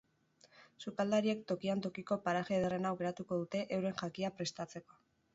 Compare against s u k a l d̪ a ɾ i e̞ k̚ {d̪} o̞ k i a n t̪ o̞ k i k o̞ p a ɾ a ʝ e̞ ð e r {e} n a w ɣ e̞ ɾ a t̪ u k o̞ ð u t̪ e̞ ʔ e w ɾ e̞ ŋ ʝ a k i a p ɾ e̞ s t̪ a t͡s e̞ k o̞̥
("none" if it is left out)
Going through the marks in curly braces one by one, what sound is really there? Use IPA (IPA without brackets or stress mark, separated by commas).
t̪, e